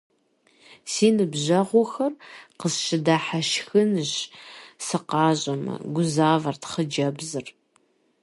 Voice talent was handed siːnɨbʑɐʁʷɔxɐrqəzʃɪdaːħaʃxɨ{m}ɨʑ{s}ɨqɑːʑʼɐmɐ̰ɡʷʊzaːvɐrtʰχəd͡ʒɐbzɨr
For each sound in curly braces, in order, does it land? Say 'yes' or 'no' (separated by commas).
no, yes